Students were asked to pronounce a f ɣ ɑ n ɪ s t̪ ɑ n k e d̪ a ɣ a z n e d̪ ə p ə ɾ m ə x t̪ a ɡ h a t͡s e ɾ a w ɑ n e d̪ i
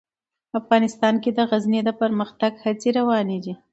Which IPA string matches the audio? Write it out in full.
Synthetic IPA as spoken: a f ɣ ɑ n ɪ s t̪ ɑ n k e d̪ ə ɣ a z n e d̪ ə p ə ɾ m ə x t̪ a ɡ h a t͡s e ɾ a w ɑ n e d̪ i